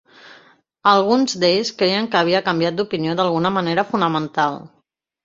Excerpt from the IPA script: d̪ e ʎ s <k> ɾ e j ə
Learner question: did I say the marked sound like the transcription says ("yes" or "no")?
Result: yes